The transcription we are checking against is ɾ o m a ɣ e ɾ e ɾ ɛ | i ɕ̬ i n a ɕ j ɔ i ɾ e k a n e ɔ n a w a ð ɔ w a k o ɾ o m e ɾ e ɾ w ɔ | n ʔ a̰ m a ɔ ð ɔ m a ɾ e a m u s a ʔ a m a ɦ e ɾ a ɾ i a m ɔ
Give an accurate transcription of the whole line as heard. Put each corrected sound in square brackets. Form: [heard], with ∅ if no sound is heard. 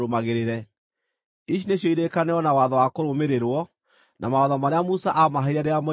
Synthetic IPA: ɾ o m a ɣ e ɾ e ɾ ɛ | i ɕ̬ i n [e] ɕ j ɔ i ɾ e k a n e ɔ n a w a ð ɔ w a k o ɾ o m e ɾ e ɾ w ɔ | n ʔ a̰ m a ɔ ð ɔ m a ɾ e a m u s a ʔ a m a ɦ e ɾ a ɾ [e] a m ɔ